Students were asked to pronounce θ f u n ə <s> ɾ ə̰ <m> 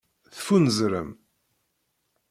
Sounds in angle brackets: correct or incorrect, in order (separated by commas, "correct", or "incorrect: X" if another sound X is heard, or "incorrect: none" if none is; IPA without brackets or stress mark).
incorrect: z, correct